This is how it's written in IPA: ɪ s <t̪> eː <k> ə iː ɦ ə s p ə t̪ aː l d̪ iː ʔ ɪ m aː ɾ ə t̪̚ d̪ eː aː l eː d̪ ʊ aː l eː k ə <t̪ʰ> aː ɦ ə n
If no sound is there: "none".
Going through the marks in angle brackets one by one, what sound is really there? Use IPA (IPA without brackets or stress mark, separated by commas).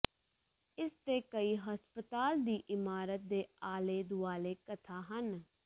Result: t̪, k, t̪ʰ